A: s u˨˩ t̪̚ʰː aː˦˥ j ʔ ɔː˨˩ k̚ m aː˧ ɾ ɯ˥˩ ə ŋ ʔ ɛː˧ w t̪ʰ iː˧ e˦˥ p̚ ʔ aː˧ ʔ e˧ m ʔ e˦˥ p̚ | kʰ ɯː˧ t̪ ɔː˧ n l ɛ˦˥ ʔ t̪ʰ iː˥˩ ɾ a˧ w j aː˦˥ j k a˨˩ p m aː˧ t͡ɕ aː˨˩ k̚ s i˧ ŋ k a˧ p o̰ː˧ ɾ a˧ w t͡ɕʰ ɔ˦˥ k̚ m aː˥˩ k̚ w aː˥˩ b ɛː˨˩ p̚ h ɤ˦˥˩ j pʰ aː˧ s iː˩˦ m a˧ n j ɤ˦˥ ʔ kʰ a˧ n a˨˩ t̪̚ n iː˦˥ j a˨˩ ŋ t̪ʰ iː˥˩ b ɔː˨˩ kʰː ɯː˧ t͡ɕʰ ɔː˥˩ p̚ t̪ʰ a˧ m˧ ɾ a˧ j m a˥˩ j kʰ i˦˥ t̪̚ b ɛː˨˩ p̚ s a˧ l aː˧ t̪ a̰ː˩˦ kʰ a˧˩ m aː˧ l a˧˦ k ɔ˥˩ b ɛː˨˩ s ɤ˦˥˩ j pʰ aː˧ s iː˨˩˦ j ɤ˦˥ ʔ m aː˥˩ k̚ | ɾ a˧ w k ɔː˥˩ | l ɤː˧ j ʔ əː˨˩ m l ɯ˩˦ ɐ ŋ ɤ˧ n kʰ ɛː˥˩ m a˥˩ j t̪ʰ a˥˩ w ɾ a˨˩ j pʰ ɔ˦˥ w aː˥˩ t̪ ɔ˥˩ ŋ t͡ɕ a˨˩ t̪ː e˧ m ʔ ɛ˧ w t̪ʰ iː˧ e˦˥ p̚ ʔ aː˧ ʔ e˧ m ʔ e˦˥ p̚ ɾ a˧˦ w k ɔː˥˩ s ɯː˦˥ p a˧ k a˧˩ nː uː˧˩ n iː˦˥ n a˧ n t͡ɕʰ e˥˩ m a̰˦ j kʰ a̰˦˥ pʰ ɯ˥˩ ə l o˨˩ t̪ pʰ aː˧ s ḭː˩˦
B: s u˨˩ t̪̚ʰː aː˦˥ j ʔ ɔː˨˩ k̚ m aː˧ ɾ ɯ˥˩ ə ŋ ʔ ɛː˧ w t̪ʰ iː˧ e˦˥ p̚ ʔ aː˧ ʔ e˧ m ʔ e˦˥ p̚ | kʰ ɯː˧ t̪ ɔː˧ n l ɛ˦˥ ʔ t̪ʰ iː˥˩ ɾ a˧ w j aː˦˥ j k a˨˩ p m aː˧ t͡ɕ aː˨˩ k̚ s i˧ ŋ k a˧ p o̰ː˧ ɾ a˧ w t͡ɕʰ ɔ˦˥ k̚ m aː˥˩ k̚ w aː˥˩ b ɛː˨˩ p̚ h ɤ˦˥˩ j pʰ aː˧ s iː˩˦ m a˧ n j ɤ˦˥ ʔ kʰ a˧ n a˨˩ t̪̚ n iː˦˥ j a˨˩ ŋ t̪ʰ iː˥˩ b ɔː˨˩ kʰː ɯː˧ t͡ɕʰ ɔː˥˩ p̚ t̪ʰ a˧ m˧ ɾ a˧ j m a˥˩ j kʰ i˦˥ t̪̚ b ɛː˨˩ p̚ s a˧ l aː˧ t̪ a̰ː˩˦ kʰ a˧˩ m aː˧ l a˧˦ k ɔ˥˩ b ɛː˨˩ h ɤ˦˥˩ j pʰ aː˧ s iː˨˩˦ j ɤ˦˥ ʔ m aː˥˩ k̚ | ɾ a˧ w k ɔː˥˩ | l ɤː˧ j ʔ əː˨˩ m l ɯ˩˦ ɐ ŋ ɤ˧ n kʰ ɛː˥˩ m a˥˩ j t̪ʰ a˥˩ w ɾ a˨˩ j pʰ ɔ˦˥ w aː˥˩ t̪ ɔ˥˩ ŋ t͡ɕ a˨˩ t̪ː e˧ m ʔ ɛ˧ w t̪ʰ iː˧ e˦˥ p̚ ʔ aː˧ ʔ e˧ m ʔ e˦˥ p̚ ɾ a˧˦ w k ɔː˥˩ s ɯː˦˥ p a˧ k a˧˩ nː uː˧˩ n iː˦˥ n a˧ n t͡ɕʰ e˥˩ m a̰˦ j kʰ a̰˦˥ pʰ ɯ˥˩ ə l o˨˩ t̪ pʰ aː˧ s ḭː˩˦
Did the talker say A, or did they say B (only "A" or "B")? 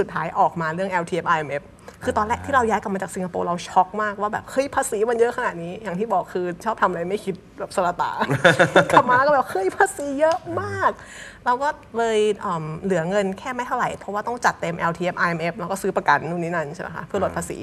B